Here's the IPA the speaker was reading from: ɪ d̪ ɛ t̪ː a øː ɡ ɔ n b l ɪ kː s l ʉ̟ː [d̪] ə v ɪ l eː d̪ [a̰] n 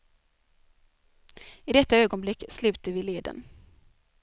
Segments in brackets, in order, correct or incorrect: incorrect: t̪, incorrect: ə̰

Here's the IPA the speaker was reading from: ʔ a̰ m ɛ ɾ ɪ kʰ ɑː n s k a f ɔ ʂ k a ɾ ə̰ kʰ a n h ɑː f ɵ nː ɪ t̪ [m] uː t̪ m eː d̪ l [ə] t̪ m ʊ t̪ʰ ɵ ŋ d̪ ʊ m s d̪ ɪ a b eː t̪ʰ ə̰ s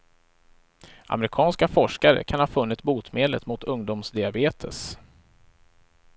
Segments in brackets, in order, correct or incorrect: incorrect: b, correct

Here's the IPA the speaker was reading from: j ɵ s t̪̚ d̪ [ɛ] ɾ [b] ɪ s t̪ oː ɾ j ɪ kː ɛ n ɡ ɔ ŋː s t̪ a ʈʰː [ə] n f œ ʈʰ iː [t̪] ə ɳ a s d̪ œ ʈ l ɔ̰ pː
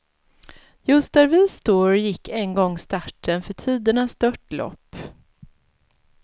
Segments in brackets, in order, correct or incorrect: incorrect: æ, incorrect: v, correct, incorrect: d̪

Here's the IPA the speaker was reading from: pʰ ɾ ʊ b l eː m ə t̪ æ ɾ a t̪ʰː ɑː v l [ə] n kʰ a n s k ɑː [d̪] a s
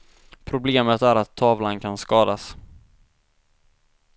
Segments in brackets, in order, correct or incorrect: incorrect: a, correct

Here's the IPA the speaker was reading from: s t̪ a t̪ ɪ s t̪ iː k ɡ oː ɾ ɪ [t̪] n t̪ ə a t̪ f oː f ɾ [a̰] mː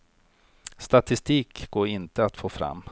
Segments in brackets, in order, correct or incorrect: incorrect: none, correct

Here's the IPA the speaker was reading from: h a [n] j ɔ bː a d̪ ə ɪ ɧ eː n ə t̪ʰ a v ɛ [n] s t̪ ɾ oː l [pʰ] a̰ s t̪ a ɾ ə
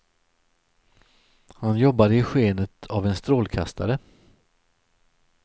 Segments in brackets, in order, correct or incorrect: correct, correct, incorrect: kʰ

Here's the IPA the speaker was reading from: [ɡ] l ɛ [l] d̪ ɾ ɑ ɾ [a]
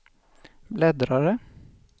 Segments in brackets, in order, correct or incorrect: incorrect: b, incorrect: none, incorrect: ə

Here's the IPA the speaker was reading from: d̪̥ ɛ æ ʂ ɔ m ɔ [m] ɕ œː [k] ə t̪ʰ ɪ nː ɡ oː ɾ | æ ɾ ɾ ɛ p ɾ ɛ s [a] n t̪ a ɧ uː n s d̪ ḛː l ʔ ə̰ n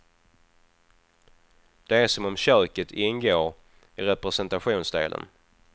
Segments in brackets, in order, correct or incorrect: correct, correct, incorrect: ɛ

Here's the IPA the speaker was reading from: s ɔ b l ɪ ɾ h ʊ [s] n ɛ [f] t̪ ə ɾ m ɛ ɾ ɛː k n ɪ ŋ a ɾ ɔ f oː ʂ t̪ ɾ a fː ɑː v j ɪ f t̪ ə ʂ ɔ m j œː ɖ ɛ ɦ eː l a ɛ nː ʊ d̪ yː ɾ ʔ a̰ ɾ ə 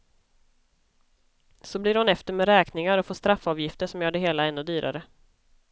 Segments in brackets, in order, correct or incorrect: incorrect: none, correct

